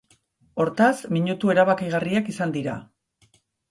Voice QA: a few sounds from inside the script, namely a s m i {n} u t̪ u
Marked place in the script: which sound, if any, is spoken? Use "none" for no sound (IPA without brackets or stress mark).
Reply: ɲ